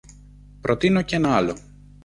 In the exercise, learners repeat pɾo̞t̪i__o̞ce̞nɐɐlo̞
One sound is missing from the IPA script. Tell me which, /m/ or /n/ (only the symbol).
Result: n